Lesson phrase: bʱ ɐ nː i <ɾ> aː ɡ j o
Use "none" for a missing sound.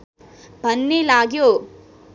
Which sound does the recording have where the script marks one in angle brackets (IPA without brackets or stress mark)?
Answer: l